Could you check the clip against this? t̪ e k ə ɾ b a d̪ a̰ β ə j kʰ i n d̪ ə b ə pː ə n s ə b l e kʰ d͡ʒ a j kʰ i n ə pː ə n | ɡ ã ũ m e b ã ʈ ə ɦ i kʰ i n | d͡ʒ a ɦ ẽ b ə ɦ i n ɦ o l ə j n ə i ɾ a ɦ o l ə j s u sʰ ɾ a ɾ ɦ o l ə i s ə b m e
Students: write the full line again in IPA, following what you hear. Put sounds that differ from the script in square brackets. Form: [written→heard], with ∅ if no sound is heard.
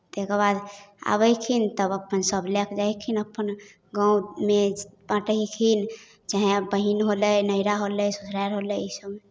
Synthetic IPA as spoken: t̪ e k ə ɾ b a d̪ a̰ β ə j kʰ i n [d̪→t̪] ə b ə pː ə n s ə b l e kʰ d͡ʒ a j kʰ i n ə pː ə n | ɡ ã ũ m e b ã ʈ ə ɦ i kʰ i n | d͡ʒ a ɦ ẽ b ə ɦ i n ɦ o l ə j n ə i ɾ a ɦ o l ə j s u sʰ ɾ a ɾ ɦ o l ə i s ə b m e